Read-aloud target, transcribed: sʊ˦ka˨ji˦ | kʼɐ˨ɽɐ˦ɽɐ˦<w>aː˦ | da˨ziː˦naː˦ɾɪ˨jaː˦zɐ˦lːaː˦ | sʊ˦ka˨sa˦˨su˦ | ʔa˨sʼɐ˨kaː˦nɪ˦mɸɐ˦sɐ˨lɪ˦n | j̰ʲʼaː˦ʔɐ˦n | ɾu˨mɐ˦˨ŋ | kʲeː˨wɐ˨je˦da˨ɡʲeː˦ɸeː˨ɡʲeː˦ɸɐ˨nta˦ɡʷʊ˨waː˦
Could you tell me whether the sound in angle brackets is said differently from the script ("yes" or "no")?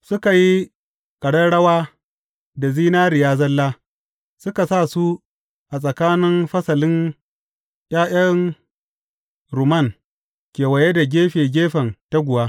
no